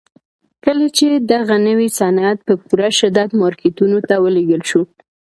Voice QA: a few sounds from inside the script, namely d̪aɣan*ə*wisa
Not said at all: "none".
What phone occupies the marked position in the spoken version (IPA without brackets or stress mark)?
ə